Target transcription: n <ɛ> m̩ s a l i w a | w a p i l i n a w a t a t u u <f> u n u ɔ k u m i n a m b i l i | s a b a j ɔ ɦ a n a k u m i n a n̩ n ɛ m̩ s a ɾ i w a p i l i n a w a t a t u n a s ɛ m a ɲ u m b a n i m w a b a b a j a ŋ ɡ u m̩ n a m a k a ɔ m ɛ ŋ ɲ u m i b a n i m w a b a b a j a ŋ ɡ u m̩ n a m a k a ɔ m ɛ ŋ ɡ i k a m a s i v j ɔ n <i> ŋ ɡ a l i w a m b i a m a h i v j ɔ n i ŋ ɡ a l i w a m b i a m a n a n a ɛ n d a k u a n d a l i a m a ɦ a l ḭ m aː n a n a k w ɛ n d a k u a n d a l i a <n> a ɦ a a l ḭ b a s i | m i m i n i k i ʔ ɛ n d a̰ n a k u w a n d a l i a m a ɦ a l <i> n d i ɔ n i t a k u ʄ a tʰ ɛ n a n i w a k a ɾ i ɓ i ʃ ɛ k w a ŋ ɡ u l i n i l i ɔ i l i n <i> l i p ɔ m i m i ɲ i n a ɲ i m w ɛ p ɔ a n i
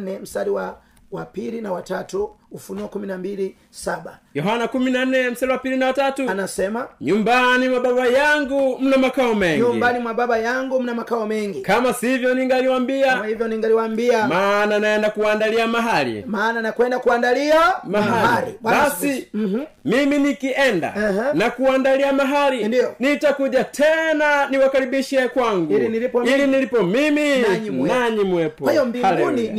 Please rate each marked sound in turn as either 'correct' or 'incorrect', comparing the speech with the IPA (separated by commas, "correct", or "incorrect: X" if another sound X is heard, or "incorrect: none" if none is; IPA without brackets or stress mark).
correct, correct, correct, incorrect: m, correct, correct